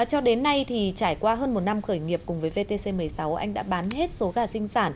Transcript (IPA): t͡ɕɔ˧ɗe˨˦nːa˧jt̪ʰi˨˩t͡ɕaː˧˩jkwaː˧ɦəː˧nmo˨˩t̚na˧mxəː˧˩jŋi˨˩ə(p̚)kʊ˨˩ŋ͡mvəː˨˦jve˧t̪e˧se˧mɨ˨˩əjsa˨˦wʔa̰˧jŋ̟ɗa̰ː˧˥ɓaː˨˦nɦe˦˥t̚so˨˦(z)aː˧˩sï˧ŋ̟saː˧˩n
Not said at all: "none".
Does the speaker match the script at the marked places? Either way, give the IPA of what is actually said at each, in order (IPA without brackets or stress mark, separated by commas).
p̚, ɣ